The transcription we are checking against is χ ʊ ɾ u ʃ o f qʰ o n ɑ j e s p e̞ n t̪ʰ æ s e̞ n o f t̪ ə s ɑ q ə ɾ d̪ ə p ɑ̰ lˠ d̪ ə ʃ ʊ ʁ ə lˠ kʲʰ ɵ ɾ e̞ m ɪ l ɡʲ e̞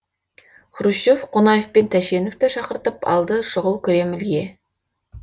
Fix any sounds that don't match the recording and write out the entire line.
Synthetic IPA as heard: χ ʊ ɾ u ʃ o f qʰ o n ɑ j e f p e̞ n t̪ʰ æ ʃ e̞ n o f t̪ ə ʃ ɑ q ə ɾ t̪ ə p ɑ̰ lˠ d̪ ə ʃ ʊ ʁ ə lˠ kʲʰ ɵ ɾ e̞ m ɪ l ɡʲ e̞